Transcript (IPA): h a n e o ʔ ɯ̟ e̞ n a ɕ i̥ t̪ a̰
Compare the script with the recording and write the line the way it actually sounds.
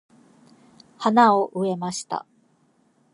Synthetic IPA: h a n a o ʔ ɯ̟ e̞ m a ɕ i̥ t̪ a̰